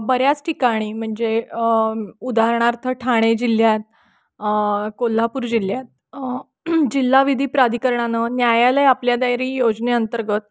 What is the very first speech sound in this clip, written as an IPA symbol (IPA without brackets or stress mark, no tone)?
b